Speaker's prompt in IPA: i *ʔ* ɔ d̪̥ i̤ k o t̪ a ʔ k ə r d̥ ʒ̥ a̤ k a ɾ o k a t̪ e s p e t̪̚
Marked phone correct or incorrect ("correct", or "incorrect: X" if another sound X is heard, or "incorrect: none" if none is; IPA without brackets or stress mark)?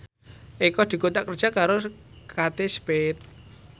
incorrect: k